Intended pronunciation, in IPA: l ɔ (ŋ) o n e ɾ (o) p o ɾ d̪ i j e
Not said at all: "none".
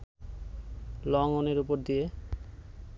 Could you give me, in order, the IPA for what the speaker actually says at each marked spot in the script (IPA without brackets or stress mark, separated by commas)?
ŋ, u